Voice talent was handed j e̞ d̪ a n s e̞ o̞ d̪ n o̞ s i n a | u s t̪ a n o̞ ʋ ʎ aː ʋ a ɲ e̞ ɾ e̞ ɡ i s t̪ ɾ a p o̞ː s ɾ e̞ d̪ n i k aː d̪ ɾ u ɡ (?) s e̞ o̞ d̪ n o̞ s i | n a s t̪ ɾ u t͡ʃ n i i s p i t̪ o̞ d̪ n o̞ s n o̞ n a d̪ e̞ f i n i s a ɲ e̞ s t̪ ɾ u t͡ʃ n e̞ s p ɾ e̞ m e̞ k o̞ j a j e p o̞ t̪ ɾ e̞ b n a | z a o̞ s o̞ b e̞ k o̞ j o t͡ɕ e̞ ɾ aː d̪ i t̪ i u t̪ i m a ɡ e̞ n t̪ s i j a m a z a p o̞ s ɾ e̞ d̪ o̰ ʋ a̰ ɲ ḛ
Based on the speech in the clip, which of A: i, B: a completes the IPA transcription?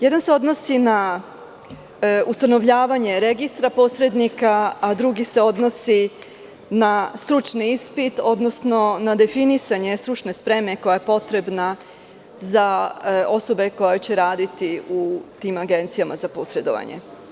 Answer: A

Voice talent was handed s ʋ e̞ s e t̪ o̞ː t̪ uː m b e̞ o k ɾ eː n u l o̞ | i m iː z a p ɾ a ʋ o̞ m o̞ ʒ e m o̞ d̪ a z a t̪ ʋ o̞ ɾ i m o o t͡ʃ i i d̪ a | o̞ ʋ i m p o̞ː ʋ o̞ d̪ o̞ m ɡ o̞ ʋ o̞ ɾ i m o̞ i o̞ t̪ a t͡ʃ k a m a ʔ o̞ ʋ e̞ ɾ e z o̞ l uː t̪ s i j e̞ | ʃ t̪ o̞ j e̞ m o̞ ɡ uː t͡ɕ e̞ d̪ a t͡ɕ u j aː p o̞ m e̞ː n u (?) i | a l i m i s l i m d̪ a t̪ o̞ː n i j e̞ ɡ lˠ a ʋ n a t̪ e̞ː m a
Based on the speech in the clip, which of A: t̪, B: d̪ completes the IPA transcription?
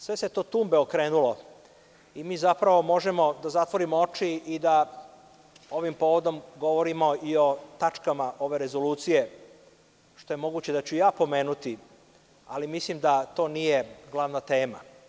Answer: A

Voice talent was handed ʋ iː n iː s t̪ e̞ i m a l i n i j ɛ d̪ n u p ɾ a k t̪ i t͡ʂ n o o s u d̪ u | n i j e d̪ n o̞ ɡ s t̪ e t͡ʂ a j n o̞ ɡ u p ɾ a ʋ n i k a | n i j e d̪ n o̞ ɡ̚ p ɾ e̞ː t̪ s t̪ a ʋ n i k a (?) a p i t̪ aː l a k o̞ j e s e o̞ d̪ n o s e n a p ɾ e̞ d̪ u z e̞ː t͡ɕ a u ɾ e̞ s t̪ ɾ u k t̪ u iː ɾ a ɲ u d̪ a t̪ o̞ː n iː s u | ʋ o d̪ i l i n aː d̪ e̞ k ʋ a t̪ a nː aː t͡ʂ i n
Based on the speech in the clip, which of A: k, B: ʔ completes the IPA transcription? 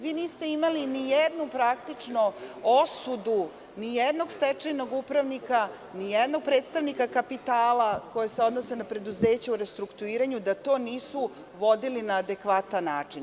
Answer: A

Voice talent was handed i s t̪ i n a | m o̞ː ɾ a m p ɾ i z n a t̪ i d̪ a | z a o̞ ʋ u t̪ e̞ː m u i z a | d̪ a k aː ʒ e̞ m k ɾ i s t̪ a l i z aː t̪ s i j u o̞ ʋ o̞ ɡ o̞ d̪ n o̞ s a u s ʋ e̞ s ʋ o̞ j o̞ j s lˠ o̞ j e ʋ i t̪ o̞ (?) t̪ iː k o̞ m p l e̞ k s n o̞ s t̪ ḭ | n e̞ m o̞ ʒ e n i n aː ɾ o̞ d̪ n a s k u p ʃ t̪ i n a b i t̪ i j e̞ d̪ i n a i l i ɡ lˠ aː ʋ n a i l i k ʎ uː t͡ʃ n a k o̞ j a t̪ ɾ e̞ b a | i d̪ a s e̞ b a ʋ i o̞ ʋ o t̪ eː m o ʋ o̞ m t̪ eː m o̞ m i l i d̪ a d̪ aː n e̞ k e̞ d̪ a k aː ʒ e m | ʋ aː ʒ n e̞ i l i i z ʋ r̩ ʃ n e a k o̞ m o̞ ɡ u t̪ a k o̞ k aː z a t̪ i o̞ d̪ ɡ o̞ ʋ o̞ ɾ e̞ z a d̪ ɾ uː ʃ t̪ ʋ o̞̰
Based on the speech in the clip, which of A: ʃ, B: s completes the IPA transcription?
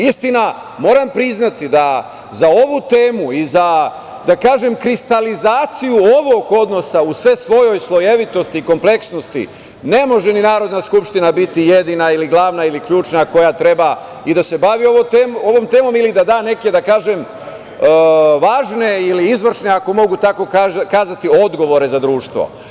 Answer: B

